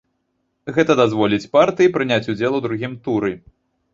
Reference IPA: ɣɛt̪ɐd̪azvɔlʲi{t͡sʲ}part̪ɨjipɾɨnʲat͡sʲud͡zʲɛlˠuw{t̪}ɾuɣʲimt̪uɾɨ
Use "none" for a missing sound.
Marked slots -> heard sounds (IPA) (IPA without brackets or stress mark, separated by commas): t͡sʲ, d̪